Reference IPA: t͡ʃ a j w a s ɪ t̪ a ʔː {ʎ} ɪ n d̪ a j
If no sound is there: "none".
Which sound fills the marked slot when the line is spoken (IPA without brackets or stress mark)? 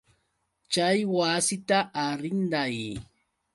ɾ